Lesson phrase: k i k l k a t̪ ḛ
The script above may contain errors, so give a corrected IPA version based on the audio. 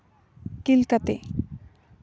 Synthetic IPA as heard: k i l k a t̪ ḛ